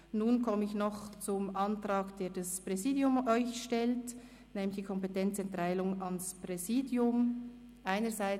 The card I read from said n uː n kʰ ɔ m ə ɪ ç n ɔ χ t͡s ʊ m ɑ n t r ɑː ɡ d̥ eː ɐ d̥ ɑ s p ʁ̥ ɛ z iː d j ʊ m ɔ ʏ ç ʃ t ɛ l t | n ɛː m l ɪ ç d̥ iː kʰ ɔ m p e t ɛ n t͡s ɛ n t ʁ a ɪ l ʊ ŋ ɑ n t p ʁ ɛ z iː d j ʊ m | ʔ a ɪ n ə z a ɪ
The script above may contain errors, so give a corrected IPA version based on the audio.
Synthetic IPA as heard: n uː n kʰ ɔ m ə ɪ ç n ɔ χ t͡s ʊ m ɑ n t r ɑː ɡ d̥ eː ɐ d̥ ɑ s p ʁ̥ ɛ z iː d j ʊ m ɔ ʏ ç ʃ t ɛ l t | n ɛː m l ɪ ç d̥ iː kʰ ɔ m p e t ɛ n t͡s ɛ n t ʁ a ɪ l ʊ ŋ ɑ n s p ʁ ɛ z iː d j ʊ m | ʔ a ɪ n ə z a ɪ